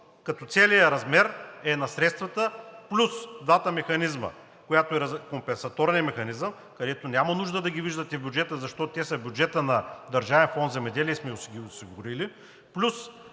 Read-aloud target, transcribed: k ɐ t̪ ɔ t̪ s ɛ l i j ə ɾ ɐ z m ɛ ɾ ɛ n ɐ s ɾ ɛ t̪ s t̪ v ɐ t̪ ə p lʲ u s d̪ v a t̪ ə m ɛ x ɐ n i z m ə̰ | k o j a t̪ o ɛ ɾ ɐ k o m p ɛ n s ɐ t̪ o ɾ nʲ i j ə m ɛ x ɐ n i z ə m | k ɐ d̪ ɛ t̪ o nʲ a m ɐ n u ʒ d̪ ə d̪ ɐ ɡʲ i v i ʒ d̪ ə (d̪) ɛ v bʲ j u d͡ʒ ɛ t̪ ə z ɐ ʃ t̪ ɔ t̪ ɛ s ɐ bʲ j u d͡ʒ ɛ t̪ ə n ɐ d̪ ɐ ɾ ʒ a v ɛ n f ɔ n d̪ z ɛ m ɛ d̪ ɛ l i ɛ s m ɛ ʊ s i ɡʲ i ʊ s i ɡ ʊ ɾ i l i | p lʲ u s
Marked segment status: incorrect: t̪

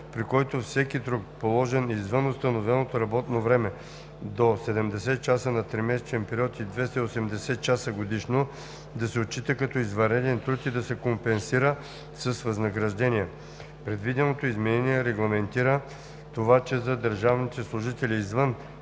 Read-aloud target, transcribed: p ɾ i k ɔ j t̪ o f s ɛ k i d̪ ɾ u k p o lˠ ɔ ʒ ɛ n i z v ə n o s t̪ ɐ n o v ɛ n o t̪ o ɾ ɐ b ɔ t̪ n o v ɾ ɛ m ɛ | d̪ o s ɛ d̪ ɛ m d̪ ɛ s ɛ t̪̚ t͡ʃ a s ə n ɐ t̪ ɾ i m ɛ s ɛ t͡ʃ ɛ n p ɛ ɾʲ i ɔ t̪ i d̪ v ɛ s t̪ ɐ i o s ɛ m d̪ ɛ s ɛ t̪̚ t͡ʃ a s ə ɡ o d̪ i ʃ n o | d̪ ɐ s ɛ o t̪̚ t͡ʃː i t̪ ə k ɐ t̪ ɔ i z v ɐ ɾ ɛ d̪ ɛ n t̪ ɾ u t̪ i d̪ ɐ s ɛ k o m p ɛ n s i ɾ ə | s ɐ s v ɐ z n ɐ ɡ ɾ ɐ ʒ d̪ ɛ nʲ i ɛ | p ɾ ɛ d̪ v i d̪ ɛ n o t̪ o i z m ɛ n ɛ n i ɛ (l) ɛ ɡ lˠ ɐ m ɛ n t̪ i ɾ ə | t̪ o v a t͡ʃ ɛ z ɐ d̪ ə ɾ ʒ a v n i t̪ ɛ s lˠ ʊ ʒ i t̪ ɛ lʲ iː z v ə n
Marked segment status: incorrect: ɾ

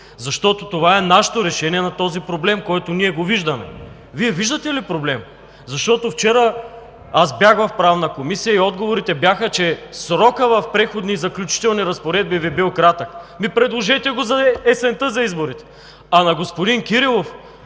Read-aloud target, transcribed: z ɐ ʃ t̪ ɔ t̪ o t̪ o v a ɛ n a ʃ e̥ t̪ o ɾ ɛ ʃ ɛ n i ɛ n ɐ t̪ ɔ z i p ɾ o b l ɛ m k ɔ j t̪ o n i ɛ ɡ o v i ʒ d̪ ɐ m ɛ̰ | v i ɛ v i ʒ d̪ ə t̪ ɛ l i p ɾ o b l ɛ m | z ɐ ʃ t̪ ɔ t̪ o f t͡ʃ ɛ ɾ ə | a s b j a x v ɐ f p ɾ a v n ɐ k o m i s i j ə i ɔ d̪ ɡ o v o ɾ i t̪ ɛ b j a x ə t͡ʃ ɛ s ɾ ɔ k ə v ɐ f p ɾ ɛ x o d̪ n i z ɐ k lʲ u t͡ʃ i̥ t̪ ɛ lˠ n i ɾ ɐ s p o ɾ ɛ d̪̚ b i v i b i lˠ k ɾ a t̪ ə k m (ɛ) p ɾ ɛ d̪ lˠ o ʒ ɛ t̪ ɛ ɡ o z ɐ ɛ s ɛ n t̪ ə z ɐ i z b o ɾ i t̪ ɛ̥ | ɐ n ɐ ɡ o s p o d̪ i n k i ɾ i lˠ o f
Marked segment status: incorrect: i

